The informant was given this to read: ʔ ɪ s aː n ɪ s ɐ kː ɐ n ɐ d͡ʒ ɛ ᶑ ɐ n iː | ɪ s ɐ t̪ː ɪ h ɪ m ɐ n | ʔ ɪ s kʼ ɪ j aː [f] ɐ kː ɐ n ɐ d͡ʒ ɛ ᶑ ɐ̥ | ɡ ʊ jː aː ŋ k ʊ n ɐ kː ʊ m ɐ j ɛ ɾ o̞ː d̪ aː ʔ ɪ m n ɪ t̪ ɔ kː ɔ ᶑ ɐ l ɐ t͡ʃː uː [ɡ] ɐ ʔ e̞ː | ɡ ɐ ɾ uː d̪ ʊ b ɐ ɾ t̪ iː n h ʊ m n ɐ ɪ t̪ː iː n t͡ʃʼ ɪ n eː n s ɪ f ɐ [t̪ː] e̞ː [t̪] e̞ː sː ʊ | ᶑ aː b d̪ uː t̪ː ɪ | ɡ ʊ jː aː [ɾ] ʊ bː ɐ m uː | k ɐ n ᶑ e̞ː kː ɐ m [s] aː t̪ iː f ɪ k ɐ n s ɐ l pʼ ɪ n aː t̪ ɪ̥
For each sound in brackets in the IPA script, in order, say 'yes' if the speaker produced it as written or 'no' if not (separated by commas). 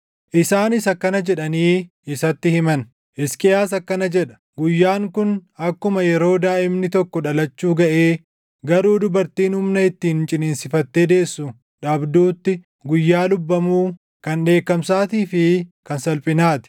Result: no, yes, yes, no, no, yes